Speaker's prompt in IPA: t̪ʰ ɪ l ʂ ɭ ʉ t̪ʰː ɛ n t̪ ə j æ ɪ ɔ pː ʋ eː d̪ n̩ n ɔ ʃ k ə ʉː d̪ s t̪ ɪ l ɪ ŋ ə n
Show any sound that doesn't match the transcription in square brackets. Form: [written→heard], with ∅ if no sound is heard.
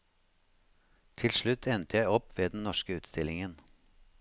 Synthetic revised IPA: t̪ʰ ɪ l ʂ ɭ ʉ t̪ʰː ɛ n t̪ ə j æ ɪ ɔ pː ʋ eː d̪ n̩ n ɔ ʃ k ə ʉː [d̪→t̪] s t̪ ɪ l ɪ ŋ ə n